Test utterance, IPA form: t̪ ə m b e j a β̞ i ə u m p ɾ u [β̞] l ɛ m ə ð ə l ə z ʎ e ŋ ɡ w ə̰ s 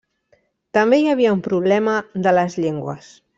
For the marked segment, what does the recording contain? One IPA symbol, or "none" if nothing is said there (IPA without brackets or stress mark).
β̞